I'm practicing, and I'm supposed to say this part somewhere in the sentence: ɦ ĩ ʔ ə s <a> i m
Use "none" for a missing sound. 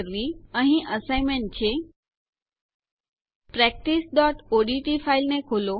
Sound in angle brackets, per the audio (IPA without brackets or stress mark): a